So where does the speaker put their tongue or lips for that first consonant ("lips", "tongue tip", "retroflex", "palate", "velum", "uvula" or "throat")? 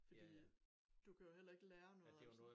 lips